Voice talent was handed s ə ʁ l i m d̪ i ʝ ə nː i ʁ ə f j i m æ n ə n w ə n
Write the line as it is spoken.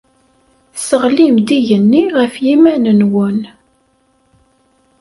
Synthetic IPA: s ə ʁ l i m d̪ i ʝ ə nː i ʁ ə f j i m æ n ə n w ə n